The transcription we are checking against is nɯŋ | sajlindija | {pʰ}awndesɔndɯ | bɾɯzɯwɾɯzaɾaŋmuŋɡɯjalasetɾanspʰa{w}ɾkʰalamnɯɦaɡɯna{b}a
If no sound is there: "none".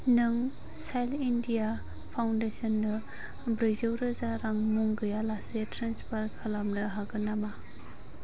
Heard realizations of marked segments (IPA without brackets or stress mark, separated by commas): pʰ, none, m